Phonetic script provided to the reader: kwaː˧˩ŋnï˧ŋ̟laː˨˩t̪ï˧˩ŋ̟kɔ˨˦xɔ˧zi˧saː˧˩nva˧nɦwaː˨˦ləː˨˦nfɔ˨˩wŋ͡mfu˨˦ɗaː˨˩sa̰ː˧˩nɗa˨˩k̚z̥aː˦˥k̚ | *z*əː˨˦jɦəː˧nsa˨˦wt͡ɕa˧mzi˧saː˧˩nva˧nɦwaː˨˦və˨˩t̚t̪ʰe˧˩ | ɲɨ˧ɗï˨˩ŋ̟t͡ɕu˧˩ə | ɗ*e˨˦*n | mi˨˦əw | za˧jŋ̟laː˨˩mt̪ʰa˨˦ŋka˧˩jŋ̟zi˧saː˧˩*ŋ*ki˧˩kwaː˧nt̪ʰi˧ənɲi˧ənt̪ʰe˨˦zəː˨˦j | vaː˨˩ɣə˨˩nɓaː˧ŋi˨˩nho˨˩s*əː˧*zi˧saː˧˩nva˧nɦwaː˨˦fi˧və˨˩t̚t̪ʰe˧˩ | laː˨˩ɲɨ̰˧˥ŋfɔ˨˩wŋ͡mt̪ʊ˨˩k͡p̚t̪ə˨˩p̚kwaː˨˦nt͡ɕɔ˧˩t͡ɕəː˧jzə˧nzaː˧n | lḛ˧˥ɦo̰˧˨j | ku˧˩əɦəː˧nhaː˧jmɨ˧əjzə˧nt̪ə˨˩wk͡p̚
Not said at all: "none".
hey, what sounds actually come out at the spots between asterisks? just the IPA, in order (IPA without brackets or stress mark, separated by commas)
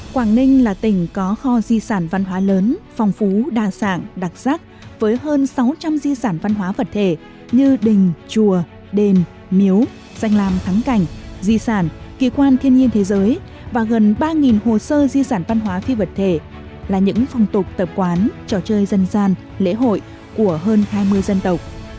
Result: v, e˧˩, n, əː˧